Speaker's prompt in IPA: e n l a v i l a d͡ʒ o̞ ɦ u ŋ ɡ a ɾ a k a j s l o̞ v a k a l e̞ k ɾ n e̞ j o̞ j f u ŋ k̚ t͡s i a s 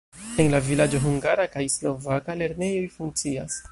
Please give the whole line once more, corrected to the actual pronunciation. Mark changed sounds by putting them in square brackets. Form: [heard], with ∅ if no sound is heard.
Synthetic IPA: e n l a v i l a d͡ʒ o̞ ɦ u ŋ ɡ a ɾ a k a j s l o̞ v a k a l e̞ [∅] ɾ n e̞ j o̞ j f u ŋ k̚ t͡s i a s